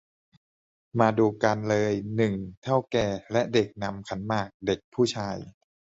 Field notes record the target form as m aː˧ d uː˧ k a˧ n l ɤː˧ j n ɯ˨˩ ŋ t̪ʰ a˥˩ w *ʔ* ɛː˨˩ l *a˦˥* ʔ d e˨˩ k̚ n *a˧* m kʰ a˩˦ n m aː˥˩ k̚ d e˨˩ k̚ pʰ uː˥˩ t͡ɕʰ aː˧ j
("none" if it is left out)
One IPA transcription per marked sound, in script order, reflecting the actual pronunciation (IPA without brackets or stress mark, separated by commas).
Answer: k, ɛ˦˥, a˧